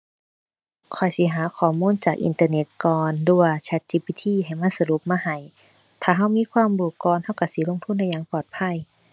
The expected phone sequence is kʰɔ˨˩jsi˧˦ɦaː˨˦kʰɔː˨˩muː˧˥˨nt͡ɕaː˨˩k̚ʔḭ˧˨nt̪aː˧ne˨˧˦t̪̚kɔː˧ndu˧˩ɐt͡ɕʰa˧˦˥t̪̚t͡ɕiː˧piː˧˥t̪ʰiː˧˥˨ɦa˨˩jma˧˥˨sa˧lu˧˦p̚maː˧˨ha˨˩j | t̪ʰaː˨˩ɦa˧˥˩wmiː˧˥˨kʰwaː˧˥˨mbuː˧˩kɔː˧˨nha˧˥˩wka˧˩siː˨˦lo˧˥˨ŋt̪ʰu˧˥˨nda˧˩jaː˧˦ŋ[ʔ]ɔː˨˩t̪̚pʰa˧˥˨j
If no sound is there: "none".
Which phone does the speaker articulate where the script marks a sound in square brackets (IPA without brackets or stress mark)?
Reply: p